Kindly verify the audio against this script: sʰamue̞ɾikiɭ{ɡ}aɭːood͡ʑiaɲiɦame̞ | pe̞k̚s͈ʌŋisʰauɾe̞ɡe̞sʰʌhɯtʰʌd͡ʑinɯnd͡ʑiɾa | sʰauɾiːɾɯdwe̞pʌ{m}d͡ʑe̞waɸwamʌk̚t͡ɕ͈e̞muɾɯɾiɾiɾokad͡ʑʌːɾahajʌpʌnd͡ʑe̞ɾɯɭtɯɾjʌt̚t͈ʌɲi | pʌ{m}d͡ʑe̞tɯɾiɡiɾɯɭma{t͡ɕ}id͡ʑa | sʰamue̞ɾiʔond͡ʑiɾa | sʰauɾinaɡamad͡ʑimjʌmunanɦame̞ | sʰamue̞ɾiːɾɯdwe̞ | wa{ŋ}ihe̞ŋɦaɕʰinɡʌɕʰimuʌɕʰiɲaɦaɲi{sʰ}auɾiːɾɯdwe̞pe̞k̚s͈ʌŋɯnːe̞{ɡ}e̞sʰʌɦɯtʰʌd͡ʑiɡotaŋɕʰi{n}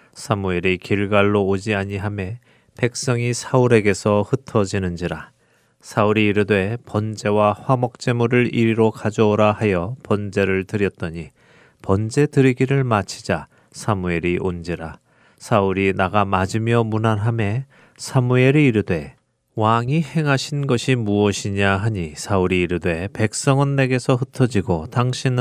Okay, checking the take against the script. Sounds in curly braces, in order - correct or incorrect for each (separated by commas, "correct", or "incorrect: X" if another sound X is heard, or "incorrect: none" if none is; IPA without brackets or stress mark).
correct, incorrect: n, incorrect: n, incorrect: t͡ɕʰ, correct, correct, correct, correct